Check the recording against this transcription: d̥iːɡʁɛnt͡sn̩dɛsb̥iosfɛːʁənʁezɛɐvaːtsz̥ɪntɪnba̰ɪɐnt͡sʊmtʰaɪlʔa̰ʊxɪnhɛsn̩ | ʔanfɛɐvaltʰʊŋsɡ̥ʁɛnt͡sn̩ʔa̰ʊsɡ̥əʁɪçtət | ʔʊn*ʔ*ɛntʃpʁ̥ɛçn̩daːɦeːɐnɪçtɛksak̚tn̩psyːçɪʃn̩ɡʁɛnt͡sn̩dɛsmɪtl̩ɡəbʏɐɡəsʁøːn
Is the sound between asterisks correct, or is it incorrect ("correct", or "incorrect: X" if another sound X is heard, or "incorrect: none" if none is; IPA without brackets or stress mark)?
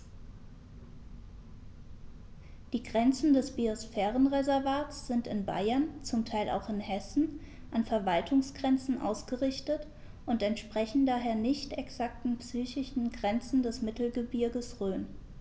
incorrect: t